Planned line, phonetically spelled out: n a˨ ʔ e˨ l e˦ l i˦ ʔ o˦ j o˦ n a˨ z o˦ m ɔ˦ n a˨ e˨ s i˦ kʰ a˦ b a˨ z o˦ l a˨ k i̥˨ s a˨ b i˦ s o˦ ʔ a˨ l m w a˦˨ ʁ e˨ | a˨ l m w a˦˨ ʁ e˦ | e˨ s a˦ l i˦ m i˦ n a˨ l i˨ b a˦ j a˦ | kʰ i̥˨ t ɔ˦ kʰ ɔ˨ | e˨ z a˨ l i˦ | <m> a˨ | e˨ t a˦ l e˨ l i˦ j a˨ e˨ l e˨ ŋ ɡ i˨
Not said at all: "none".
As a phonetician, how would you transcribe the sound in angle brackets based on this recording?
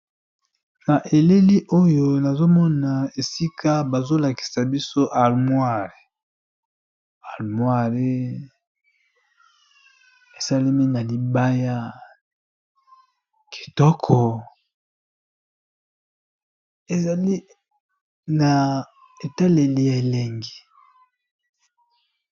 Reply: n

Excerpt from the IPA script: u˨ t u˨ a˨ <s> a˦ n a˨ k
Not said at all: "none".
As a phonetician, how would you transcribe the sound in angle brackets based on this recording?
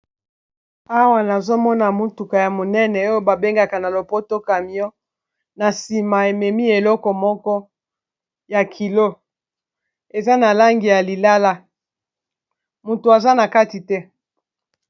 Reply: z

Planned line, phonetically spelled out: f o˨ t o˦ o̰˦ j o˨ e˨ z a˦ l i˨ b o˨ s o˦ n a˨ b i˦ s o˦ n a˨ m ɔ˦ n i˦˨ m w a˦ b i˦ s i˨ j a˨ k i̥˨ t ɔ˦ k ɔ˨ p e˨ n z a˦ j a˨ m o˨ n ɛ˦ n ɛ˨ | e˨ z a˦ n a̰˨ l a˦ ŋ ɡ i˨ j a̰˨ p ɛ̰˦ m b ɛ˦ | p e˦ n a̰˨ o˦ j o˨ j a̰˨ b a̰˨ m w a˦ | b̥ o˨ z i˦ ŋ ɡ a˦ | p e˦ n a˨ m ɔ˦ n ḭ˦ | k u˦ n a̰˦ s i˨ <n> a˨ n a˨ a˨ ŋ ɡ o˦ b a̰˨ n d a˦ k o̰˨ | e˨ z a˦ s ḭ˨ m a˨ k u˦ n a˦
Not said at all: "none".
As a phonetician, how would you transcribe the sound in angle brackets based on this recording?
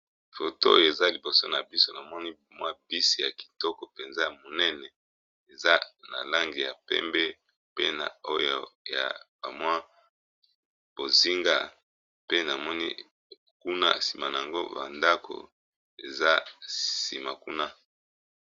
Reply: m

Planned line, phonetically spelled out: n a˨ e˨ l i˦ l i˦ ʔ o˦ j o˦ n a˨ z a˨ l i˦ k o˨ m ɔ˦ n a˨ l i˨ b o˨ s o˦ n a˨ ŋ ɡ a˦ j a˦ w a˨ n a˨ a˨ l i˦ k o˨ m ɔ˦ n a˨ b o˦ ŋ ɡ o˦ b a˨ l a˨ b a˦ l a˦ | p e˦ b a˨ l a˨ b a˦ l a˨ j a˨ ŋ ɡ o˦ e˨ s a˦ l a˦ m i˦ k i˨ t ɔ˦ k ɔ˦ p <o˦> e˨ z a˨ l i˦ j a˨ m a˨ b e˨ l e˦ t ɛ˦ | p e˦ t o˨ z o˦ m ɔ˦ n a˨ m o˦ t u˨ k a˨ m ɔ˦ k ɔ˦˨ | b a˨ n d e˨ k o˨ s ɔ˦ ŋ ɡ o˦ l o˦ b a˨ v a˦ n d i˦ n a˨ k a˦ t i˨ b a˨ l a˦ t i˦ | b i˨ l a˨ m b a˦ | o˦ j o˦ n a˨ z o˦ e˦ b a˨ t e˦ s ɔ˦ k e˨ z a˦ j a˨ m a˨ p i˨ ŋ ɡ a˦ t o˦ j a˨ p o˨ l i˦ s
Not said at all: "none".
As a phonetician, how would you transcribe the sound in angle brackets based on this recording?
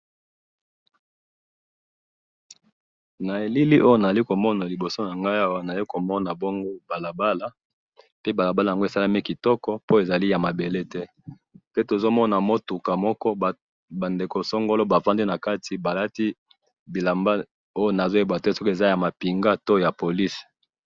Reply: o˦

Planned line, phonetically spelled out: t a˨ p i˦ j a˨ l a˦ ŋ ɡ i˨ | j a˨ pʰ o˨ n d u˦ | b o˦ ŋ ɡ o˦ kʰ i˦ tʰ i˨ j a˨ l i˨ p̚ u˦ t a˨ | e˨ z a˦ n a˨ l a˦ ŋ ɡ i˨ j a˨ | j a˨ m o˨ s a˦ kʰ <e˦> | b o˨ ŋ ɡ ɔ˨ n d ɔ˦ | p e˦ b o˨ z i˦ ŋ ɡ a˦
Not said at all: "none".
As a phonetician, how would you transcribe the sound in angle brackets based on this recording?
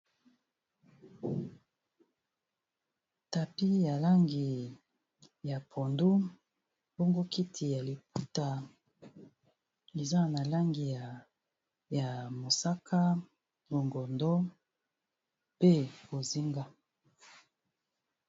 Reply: a˦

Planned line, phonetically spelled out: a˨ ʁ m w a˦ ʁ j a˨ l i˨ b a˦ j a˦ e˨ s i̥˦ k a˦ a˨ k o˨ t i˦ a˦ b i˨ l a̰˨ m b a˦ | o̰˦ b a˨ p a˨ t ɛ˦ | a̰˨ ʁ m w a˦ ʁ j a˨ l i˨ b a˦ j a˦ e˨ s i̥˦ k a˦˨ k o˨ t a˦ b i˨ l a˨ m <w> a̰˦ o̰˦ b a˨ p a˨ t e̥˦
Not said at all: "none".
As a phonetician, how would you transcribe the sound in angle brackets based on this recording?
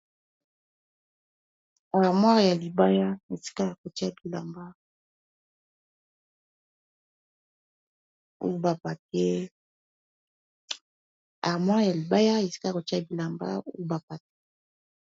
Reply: b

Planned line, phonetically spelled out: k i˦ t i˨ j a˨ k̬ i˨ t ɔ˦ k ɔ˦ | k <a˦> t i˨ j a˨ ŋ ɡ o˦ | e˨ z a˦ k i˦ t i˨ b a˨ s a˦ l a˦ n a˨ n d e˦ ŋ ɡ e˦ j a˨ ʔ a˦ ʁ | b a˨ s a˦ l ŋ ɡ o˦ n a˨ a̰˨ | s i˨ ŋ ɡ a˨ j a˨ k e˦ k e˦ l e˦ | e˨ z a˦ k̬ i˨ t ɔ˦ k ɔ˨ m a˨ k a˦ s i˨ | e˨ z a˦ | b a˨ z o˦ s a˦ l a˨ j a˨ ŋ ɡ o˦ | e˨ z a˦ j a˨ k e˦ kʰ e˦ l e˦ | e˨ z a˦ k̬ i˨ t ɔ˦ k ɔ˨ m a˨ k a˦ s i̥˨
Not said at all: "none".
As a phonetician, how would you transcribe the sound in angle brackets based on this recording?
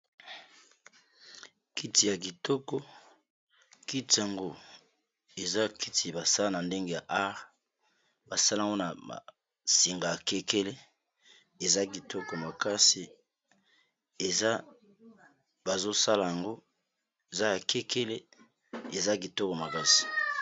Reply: i˦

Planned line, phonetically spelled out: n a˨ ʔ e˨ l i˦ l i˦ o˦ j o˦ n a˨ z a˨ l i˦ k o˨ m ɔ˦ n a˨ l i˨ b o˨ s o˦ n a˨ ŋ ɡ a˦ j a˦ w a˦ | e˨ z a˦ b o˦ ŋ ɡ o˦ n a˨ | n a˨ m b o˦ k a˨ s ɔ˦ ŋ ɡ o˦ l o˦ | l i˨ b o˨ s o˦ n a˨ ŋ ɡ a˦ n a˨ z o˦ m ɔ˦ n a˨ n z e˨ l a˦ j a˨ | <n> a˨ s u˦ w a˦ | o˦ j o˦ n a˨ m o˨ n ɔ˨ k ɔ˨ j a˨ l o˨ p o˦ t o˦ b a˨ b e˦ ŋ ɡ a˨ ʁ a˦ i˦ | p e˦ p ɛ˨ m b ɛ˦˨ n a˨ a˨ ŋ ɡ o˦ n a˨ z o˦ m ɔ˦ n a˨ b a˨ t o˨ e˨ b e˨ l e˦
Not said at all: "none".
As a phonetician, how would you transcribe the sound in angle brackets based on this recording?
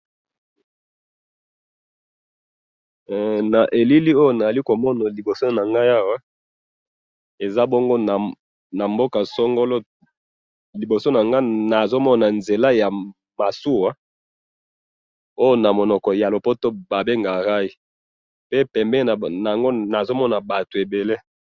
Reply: m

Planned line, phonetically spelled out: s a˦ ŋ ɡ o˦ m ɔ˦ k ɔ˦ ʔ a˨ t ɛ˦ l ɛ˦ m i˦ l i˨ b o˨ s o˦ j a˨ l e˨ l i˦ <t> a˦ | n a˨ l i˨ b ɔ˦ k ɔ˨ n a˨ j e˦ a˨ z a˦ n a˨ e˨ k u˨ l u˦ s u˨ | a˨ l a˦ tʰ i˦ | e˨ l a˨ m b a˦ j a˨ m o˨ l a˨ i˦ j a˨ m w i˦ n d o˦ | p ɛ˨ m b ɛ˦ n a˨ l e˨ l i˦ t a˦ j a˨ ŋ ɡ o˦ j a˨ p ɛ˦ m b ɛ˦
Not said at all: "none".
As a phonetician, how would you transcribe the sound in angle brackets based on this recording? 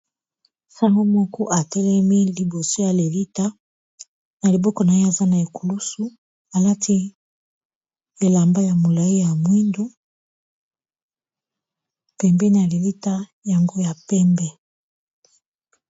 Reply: t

